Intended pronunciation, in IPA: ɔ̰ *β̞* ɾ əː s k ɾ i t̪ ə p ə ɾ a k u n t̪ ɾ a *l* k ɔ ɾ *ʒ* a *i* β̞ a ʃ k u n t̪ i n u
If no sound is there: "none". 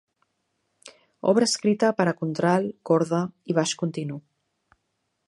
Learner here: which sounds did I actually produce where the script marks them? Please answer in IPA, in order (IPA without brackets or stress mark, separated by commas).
β̞, l, ð, i